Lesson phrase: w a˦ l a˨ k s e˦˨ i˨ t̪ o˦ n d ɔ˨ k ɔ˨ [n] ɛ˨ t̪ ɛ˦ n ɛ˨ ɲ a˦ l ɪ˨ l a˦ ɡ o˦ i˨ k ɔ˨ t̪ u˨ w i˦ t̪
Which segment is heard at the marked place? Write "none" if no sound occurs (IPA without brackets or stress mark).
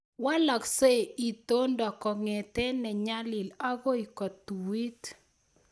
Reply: ŋ